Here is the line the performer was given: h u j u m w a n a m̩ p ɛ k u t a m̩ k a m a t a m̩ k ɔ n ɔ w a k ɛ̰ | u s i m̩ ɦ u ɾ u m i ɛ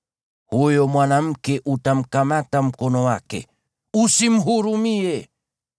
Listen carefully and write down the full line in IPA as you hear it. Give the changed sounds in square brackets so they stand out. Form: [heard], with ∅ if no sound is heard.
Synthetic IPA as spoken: h u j [ɔ] m w a n a m̩ [k] ɛ [ʔ] u t a m̩ k a m a t a m̩ k ɔ n ɔ w a k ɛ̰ | u s i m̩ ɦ u ɾ u m i ɛ